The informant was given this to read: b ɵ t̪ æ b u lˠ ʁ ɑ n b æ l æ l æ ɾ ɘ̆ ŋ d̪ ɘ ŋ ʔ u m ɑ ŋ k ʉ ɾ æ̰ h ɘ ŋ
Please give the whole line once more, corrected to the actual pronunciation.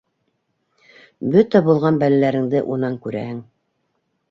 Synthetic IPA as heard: b ɵ t̪ æ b u lˠ ʁ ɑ n b æ l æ l æ ɾ ɘ̆ ŋ d̪ ɘ ʔ u n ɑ ŋ k ʉ ɾ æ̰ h ɘ ŋ